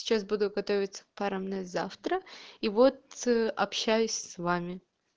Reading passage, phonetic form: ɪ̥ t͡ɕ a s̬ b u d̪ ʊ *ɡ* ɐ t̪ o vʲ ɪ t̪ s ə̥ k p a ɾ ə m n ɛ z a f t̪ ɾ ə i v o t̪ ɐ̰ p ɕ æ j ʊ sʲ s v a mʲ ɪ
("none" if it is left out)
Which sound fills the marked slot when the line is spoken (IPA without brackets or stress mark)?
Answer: ɡ